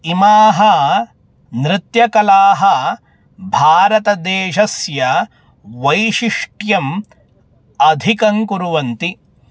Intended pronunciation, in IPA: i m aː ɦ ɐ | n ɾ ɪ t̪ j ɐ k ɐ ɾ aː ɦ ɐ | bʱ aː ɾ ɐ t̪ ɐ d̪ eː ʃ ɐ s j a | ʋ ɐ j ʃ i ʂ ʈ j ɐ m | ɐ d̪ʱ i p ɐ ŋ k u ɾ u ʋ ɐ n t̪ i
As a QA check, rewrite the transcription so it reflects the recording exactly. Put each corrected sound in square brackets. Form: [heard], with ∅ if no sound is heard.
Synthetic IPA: i m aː ɦ ɐ | n ɾ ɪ t̪ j ɐ k ɐ [l] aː ɦ ɐ | bʱ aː ɾ ɐ t̪ ɐ d̪ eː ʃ ɐ s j [ɐ] | ʋ ɐ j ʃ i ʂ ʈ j ɐ m | ɐ d̪ʱ i [k] ɐ ŋ k u ɾ u ʋ ɐ n t̪ i